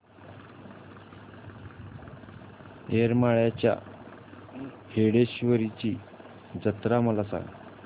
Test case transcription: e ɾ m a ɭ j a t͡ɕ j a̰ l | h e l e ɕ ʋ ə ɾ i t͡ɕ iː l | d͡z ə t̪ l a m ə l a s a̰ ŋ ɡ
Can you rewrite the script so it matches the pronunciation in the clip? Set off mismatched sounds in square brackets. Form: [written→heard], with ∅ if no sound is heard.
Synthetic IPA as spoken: e ɾ m a ɭ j a t͡ɕ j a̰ [l→∅] | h e [l→ɽ] e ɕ ʋ ə ɾ i t͡ɕ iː [l→∅] | d͡z ə t̪ [l→ɾ] a m ə l a s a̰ ŋ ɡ